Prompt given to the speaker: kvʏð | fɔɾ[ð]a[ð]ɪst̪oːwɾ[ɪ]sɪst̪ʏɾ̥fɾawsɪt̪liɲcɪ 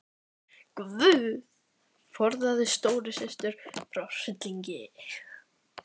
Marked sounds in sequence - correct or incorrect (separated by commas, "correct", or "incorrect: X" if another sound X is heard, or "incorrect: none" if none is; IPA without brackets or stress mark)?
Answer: correct, correct, correct